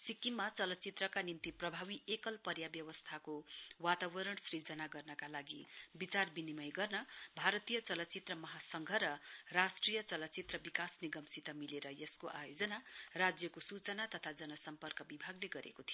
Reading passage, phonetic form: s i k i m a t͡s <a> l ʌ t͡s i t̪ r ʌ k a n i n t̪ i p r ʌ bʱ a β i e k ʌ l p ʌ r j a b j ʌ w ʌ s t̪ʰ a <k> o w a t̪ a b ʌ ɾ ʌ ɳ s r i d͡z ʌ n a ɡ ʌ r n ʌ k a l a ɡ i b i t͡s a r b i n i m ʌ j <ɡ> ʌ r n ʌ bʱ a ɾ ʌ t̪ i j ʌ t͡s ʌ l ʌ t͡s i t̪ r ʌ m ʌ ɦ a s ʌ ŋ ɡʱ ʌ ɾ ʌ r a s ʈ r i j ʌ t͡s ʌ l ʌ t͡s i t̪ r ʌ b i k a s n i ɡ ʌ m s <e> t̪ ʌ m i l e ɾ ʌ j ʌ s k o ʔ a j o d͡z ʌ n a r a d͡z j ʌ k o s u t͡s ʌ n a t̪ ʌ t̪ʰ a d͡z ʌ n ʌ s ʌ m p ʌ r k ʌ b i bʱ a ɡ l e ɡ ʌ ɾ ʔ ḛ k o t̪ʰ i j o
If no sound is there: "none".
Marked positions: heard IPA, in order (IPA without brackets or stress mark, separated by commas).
ʌ, k, ɡ, i